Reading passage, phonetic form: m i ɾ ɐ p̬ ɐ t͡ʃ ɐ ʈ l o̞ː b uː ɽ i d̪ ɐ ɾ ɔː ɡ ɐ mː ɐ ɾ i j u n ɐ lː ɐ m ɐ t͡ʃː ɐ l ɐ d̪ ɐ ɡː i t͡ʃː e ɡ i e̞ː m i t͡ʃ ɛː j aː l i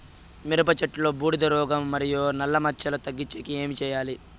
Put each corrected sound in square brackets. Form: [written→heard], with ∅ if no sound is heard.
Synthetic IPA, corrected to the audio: m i ɾ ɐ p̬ ɐ t͡ʃ ɐ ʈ l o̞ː b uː ɽ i d̪ ɐ ɾ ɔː ɡ ɐ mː ɐ ɾ i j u n ɐ lː ɐ m ɐ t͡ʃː ɐ l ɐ [d̪→t̪] ɐ ɡː i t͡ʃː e [ɡ→k] i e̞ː m i t͡ʃ ɛː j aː l i